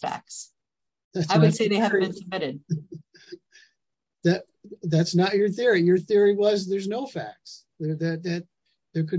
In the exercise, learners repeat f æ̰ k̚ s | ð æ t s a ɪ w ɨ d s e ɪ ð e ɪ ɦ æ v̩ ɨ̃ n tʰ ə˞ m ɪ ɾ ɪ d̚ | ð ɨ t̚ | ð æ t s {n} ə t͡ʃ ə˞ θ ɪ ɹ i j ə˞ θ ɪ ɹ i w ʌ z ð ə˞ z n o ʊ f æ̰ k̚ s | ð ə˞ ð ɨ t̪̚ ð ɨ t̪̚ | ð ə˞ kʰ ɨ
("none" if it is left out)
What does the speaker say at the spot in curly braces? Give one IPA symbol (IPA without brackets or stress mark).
n